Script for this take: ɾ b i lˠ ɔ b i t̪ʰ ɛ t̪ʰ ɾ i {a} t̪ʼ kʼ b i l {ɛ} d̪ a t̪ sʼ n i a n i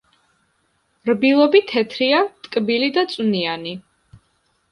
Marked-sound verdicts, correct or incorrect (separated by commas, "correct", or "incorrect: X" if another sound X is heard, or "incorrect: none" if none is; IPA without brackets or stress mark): correct, incorrect: i